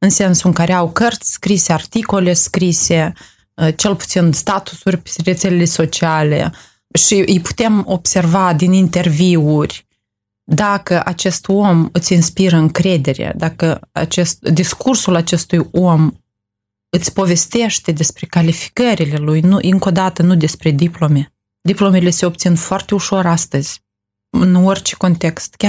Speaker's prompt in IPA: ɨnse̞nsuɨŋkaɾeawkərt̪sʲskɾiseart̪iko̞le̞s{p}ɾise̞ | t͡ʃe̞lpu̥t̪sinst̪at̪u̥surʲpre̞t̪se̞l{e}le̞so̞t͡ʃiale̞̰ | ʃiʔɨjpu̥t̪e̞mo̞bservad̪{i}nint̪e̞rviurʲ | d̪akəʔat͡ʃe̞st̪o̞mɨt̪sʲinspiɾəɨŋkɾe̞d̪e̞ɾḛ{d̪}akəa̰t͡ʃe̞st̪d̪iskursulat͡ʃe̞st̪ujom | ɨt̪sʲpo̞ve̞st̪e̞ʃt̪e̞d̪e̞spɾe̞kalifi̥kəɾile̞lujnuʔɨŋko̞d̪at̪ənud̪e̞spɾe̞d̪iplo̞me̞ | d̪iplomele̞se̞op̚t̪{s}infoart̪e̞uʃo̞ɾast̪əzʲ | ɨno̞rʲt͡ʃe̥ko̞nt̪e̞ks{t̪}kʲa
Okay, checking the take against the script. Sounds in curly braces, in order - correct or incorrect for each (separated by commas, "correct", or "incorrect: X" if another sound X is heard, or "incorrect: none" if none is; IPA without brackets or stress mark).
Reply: incorrect: k, correct, correct, correct, correct, correct